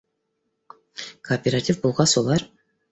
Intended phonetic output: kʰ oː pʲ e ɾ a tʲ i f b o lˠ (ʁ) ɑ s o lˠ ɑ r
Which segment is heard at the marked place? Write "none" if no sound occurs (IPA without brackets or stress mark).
ʁ